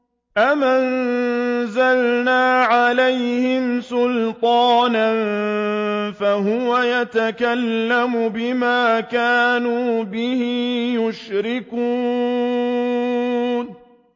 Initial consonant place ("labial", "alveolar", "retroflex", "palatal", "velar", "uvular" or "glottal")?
glottal